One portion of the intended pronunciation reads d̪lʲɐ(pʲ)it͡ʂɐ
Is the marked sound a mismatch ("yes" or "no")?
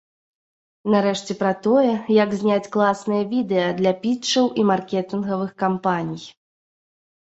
no